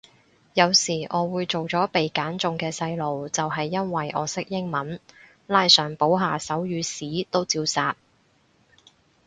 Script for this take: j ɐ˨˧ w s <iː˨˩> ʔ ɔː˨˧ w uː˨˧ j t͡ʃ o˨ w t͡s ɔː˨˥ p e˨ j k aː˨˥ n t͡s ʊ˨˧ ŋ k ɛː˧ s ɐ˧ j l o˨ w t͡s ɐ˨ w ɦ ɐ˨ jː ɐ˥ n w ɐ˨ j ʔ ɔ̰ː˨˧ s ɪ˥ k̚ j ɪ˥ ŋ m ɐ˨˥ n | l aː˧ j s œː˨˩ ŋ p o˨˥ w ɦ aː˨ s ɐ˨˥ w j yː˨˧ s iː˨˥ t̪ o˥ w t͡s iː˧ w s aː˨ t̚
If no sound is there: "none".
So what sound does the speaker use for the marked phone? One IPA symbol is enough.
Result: iː˨˩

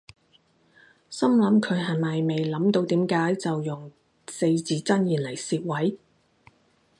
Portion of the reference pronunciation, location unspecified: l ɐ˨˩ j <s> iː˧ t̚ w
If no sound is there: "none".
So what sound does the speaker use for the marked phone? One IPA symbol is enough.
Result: s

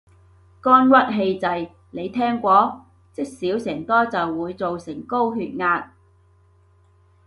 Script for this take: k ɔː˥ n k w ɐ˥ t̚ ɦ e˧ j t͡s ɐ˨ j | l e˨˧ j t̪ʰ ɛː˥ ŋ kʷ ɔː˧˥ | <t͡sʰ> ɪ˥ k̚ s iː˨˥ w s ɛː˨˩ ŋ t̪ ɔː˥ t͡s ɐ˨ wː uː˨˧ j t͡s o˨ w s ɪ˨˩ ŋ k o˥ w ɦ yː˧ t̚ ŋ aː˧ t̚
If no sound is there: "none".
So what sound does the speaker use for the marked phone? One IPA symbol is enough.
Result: t͡s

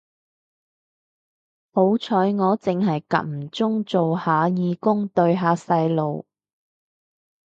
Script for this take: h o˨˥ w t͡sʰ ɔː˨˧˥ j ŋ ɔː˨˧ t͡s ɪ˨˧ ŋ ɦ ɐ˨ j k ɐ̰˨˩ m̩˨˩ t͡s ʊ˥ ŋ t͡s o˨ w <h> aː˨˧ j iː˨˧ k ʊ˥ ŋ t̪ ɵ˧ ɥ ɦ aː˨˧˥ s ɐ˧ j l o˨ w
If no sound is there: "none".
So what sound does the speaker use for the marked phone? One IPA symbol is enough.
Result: h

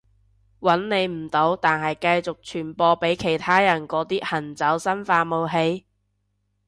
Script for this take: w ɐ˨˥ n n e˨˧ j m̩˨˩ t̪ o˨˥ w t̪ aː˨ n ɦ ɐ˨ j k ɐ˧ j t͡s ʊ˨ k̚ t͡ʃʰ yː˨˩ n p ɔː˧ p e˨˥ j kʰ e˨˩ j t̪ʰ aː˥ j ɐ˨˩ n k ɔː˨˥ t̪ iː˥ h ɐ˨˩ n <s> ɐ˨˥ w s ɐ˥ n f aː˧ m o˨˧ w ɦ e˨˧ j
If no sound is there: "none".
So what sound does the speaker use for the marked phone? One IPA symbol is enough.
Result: t͡s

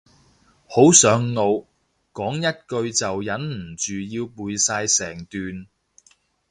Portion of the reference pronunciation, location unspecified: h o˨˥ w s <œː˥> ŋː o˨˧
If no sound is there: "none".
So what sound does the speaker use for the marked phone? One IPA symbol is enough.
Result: œː˨˥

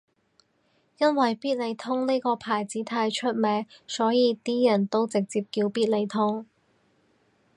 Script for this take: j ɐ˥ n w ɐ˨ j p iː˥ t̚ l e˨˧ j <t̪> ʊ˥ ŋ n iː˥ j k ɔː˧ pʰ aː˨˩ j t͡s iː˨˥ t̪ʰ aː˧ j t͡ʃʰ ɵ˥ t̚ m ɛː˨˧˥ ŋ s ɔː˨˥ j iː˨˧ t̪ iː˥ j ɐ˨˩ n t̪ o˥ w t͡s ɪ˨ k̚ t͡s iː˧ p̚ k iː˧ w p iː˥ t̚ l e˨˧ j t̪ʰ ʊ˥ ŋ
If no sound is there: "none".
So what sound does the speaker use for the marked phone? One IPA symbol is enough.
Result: t̪ʰ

